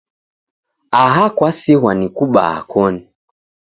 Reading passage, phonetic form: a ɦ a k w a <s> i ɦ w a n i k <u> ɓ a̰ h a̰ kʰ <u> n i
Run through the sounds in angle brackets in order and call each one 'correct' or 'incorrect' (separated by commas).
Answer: correct, correct, incorrect